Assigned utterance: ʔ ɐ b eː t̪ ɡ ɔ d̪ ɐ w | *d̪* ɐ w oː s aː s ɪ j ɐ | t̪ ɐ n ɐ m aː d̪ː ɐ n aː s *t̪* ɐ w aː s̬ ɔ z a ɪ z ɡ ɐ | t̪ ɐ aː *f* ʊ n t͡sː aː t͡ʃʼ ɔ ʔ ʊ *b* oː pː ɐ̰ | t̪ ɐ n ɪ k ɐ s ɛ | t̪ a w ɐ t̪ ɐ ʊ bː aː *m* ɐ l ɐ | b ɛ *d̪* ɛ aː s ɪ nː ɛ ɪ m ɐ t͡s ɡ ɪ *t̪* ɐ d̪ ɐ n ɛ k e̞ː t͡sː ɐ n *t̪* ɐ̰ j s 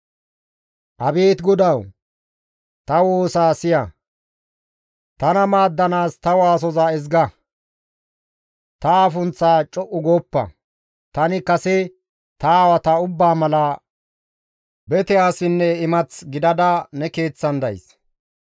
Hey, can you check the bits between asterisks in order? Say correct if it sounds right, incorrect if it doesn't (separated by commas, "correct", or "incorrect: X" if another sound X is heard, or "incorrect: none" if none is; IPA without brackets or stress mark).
incorrect: t̪, correct, correct, incorrect: ɡ, correct, incorrect: t̪, incorrect: d̪, incorrect: d̪